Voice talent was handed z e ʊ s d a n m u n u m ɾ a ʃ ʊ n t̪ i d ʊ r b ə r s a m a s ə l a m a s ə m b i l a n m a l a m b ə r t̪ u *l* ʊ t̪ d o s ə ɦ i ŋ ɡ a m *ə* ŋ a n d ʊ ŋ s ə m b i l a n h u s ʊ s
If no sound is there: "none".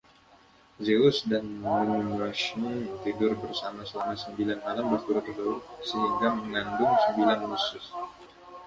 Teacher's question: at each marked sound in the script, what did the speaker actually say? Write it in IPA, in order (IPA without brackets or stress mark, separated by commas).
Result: ɾ, ə